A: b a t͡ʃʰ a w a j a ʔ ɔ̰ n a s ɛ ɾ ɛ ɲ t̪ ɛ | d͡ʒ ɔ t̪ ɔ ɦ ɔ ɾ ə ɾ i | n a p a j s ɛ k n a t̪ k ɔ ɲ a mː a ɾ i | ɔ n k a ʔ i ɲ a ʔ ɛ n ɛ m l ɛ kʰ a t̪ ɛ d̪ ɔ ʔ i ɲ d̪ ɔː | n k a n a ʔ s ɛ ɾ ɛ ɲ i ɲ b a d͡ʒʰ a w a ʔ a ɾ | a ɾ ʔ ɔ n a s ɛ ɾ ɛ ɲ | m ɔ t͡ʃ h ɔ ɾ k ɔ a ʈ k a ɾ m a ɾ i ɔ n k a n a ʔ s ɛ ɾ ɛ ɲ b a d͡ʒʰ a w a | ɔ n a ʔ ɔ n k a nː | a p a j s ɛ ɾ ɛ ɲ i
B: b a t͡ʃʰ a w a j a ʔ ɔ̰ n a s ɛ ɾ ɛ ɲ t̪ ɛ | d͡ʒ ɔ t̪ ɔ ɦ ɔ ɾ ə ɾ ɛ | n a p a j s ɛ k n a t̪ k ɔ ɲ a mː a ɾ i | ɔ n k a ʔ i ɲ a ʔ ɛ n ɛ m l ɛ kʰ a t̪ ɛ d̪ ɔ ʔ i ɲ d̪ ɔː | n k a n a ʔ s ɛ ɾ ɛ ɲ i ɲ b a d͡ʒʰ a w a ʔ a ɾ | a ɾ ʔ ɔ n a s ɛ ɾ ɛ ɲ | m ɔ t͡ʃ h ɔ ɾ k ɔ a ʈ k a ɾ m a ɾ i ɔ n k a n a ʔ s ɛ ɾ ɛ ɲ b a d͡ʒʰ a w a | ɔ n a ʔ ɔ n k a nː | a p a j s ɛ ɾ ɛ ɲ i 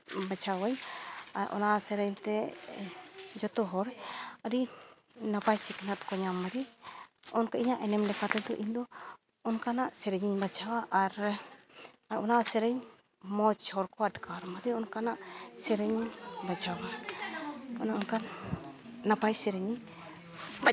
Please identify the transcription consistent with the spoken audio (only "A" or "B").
A